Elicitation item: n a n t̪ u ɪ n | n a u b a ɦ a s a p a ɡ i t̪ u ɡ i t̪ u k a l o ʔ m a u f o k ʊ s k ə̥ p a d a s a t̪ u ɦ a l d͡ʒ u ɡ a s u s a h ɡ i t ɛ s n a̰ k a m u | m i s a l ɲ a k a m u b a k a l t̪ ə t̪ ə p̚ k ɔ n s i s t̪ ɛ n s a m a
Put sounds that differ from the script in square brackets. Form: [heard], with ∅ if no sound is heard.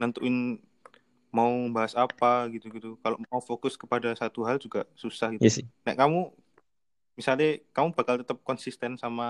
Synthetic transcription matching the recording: n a n t̪ u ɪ n | [m] a u b a ɦ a s a p a ɡ i t̪ u ɡ i t̪ u k a l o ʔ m a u f o k ʊ s k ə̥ p a d a s a t̪ u ɦ a l d͡ʒ u ɡ a s u s a h ɡ i t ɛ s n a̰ k a m u | m i s a l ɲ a k a m u b a k a l t̪ ə t̪ ə p̚ k ɔ n s i s t̪ ɛ n s a m a